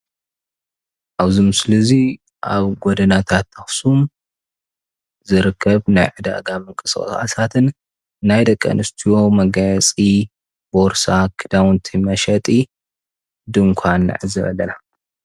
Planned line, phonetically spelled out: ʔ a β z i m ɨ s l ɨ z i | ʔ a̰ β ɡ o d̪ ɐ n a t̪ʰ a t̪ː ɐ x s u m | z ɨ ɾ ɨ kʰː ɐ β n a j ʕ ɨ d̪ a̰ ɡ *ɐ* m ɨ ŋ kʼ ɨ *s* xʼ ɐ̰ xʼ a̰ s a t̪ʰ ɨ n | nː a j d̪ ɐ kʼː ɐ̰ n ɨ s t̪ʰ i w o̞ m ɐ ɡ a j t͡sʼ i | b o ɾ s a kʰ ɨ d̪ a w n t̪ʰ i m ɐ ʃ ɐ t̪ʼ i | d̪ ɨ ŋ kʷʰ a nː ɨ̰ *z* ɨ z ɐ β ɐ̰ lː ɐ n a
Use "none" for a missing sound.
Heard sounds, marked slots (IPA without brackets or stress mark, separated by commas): a, s, ʕ